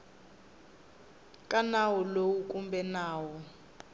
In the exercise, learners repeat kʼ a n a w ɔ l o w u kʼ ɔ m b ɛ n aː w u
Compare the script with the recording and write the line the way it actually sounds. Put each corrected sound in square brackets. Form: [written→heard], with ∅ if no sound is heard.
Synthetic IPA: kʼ a n a w ɔ l o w u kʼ [ɔ→u] m b ɛ n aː w [u→ɔ]

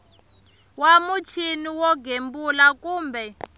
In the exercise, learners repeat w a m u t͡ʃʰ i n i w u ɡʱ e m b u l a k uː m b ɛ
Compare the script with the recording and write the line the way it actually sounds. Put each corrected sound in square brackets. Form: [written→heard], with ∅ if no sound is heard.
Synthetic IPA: w a m u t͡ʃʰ i n i w [u→ɔ] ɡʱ e m b u l a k uː m b ɛ

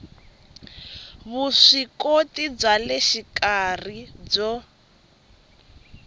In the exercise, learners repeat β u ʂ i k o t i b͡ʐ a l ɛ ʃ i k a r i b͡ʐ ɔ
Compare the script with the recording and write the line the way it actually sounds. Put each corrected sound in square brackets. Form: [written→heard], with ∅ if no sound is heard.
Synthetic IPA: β u ʂ i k o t i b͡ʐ a l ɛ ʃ i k a r i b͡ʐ ɔ

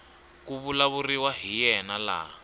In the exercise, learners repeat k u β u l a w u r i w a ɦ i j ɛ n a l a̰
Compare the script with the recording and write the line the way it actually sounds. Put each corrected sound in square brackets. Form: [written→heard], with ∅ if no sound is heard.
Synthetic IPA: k u β u l a [w→β] u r i w a ɦ i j ɛ n a l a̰

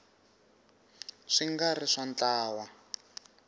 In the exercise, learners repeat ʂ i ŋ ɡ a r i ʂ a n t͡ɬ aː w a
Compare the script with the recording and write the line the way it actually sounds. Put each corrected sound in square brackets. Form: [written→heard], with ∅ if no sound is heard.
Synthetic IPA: ʂ i ŋ ɡ a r i ʂ a n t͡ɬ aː w a

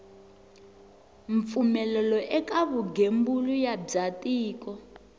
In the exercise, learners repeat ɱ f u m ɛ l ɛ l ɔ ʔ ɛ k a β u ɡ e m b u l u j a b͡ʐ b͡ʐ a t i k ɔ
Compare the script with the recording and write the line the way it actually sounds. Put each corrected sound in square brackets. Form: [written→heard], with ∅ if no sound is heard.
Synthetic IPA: ɱ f u m ɛ l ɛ l ɔ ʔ ɛ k a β u ɡ e m b u l u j a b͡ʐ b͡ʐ a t [i→iː] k ɔ

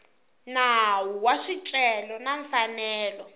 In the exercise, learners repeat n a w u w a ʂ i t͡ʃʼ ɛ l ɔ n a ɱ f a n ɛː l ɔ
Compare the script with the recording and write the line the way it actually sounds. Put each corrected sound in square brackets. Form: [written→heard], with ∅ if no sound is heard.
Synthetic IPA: n a w u w a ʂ i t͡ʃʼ ɛ l ɔ n a ɱ f a n ɛː l ɔ

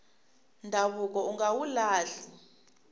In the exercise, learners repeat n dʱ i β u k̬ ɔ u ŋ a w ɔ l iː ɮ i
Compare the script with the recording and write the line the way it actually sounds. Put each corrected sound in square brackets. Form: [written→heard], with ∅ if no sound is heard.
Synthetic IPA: n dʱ [i→a] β u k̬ ɔ u ŋ a w [ɔ→u] l [iː→aː] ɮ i

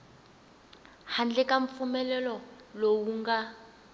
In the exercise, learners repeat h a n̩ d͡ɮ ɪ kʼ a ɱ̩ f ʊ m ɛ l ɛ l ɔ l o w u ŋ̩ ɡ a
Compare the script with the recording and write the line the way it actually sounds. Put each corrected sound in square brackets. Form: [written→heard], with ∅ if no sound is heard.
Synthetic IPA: h a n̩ d͡ɮ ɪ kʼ a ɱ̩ f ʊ m ɛ l ɛ l ɔ l o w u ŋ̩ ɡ a

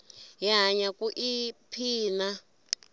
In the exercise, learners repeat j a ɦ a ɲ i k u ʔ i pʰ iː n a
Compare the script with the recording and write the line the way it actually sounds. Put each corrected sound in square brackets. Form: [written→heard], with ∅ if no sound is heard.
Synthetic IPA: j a ɦ a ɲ [i→a] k u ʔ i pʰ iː n a

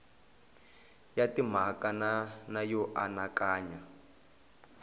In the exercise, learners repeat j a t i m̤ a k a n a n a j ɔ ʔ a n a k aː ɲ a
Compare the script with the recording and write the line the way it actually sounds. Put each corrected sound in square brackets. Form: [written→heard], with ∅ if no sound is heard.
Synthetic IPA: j a t i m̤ a k a n a n a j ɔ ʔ a n a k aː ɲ a

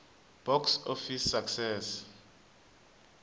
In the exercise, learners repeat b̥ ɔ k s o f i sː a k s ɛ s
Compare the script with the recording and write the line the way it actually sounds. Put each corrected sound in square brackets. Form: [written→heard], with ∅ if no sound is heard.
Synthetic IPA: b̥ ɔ k s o f i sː a k s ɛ s

